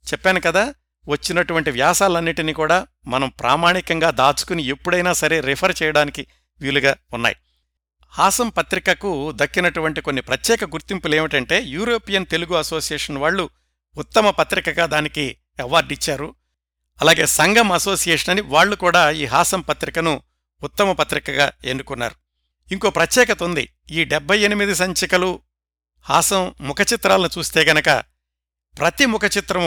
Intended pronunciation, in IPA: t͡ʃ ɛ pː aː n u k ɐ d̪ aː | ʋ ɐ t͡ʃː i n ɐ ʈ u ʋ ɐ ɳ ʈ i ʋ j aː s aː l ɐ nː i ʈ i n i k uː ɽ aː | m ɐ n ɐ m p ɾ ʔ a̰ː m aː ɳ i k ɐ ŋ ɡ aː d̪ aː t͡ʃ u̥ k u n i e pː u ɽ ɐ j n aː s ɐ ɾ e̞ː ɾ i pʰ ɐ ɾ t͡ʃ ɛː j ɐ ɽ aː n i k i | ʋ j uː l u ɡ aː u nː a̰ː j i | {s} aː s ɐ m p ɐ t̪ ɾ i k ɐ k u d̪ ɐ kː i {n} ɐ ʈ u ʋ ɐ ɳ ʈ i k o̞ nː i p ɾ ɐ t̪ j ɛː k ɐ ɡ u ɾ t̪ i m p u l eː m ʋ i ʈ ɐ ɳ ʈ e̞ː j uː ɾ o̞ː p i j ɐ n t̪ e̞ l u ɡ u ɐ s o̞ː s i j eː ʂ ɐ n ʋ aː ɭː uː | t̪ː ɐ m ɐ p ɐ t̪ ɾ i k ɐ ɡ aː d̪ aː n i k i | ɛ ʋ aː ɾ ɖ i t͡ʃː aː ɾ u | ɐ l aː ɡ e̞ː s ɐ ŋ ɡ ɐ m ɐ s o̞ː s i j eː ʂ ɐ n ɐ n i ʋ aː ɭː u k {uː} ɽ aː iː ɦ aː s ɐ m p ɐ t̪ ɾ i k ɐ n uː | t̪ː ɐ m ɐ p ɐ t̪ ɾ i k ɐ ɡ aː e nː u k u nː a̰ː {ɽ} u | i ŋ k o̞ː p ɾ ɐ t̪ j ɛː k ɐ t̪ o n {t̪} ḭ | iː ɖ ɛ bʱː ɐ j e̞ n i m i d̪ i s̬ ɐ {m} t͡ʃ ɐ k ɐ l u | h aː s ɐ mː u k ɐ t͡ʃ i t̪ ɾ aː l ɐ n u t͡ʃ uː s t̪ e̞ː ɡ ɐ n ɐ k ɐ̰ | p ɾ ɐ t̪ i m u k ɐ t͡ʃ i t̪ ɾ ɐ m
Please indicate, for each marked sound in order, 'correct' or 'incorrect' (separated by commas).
incorrect, correct, correct, incorrect, incorrect, incorrect